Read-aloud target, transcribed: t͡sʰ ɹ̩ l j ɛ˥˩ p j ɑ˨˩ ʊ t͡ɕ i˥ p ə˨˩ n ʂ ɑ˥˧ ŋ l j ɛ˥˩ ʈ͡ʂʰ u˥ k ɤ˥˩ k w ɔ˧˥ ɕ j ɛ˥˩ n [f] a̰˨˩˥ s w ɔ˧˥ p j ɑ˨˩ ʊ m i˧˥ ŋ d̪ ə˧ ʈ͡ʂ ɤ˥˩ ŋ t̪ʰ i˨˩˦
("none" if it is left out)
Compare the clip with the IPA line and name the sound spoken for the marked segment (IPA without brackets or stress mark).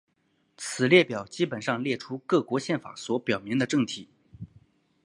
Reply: f